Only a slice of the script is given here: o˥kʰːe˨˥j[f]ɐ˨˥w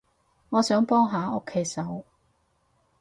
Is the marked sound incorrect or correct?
incorrect